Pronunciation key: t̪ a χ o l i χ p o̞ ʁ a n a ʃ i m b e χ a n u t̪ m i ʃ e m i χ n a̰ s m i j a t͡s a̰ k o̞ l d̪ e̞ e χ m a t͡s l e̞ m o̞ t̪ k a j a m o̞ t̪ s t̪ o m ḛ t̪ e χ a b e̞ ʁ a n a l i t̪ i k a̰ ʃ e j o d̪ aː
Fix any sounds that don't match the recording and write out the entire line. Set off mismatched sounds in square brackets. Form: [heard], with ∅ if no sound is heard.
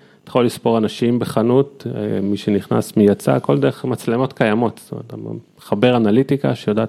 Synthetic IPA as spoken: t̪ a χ o l i [s] p o̞ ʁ a n a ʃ i m b e χ a n u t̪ m i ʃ e [n] i χ n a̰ s m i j a t͡s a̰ k o̞ l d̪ e̞ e χ m a t͡s l e̞ m o̞ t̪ k a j a m o̞ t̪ s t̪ o m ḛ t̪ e χ a b e̞ ʁ a n a l i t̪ i k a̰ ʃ e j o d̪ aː